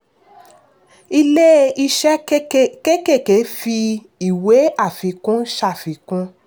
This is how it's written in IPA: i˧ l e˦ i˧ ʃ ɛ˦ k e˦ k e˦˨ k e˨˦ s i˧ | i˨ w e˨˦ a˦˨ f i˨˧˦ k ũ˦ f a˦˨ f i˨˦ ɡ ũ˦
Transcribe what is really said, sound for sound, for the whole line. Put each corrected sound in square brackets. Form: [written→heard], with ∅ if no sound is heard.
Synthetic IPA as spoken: i˧ l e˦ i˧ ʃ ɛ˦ k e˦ k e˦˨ k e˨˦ [s→f] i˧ | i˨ w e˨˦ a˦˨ f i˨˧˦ k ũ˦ [f→ʃ] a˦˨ f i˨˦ [ɡ→k] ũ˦